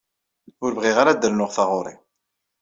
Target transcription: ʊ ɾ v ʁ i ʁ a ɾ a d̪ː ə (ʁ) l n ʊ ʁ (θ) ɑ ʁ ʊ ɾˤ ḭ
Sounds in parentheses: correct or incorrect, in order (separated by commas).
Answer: incorrect, correct